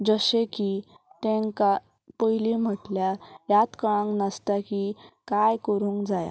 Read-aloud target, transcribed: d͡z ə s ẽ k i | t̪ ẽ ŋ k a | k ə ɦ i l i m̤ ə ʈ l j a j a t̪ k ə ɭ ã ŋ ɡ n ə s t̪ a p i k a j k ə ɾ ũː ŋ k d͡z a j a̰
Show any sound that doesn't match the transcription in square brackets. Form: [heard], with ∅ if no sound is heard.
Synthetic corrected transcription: d͡z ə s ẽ k i | t̪ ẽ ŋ k a | [p] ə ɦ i l i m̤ ə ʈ l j a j a t̪ k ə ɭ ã ŋ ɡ n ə s t̪ a [k] i k a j k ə ɾ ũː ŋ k d͡z a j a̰